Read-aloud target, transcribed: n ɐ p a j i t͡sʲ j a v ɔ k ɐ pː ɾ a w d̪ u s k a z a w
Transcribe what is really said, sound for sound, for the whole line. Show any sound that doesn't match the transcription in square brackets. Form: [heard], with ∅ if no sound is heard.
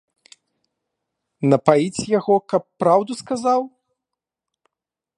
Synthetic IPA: n ɐ p a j i t͡sʲ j a [ɣ] ɔ k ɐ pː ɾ a w d̪ u s k a z a w